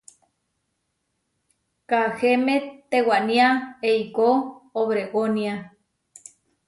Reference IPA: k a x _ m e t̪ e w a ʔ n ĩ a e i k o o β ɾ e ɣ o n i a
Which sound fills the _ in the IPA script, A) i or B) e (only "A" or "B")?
B